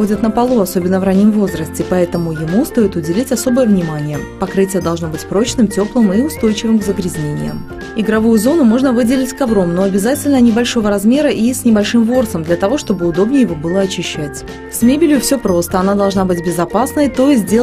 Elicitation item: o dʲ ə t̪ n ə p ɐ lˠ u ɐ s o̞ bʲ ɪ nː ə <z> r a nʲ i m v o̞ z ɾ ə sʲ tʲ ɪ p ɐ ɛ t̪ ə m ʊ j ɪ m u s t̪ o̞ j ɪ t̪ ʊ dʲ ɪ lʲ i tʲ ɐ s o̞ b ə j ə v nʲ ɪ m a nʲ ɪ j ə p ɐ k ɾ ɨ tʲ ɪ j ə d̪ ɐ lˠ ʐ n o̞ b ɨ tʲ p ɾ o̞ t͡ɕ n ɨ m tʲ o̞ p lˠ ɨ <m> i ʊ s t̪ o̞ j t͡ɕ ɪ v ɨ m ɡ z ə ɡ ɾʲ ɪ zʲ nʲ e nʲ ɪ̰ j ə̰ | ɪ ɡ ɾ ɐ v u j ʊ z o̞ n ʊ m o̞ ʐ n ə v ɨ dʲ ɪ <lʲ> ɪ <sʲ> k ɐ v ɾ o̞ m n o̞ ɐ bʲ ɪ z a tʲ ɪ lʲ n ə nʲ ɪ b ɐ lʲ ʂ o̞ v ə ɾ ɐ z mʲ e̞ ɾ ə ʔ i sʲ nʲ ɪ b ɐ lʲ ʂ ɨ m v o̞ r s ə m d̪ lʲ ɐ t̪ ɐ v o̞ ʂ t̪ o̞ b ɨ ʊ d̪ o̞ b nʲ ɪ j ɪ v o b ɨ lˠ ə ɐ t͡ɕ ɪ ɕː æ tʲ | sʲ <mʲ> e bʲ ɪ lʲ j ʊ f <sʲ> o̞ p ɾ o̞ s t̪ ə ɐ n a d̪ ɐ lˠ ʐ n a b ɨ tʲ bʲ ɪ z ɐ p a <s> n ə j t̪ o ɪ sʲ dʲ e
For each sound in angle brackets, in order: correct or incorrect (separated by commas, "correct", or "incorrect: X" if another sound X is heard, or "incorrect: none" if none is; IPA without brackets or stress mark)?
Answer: incorrect: v, correct, correct, incorrect: tʲ, correct, correct, correct